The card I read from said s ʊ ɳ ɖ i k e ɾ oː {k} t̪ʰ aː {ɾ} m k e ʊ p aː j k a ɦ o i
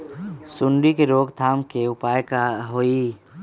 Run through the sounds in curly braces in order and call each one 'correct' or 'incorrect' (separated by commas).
incorrect, incorrect